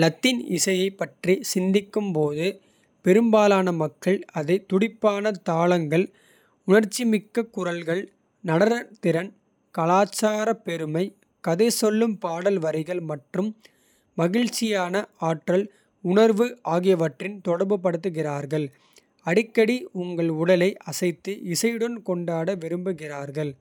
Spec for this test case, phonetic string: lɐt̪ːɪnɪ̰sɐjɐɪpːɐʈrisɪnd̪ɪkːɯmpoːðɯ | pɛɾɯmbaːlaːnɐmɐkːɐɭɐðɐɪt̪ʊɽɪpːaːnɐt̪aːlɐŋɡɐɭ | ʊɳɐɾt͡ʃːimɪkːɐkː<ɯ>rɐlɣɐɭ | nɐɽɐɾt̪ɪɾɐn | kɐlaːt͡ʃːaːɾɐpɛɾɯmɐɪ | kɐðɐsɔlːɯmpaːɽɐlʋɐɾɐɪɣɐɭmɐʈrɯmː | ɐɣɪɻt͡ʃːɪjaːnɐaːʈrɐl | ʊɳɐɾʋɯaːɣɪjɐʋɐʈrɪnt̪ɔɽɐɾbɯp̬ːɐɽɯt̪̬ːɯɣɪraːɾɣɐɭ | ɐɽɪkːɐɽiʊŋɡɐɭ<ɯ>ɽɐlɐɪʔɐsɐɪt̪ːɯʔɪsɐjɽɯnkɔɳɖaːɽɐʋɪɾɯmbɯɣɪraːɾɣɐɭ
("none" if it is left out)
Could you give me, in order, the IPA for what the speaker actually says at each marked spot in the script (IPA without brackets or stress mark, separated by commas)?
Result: ʊ, ʊ